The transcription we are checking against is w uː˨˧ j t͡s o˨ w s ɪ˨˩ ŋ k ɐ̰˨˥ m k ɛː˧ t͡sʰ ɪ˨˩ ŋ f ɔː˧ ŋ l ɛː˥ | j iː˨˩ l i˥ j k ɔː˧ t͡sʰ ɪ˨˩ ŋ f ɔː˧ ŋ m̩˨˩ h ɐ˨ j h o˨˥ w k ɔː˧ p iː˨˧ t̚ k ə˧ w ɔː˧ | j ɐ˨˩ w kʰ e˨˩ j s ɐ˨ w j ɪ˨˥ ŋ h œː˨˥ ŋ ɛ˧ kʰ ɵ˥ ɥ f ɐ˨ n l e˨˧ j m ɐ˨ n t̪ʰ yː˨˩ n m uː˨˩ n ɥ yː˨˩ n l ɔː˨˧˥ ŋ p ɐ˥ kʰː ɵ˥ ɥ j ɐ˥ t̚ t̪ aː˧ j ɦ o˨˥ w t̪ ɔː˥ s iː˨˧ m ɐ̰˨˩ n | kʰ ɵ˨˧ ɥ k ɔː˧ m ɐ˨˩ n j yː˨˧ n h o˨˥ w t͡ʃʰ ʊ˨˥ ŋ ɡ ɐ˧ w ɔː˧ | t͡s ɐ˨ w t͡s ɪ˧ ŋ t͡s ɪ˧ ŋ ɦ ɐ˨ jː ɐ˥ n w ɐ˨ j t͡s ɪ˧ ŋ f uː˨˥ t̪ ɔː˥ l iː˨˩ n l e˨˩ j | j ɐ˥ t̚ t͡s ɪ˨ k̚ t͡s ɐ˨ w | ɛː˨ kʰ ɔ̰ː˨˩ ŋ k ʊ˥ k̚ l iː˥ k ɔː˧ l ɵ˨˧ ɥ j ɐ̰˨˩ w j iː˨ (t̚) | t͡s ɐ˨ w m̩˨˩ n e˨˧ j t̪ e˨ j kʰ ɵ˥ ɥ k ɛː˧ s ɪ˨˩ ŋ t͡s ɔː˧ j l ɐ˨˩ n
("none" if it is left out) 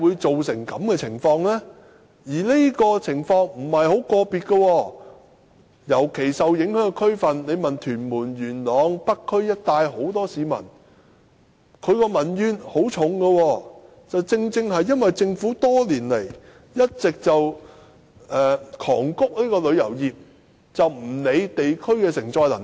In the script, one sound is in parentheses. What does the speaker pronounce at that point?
p̚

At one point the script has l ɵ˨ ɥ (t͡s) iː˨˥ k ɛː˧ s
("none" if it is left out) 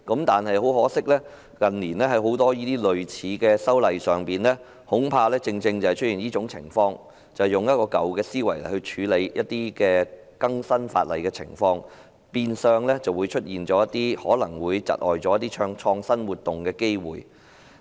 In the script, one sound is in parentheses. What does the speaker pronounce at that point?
t͡sʰ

